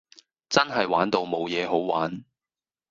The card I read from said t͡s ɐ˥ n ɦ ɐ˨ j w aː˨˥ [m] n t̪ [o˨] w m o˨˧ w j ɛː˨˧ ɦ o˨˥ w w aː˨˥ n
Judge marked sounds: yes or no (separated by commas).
no, yes